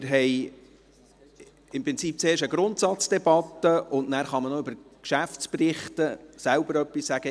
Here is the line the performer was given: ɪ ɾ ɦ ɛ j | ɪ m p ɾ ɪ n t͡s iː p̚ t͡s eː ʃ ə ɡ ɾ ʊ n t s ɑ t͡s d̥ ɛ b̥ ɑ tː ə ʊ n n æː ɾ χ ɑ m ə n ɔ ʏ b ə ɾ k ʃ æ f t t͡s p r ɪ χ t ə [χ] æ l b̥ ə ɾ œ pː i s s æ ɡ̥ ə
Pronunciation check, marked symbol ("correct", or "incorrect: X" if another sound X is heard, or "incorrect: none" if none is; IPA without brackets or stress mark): incorrect: s